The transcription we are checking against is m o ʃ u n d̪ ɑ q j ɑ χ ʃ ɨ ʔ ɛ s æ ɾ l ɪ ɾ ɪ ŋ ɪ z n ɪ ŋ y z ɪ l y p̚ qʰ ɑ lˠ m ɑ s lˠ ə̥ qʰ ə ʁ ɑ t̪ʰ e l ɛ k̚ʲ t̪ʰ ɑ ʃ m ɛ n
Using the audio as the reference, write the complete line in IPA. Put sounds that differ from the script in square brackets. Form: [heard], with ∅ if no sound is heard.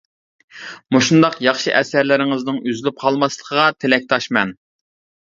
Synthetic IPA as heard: m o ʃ u n d̪ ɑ q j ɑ χ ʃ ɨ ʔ ɛ s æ ɾ l ɪ ɾ ɪ ŋ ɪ z n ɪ ŋ y z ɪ l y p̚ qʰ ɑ lˠ m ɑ s lˠ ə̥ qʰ ə ʁ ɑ t̪ʰ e l ɛ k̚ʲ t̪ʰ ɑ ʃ m ɛ n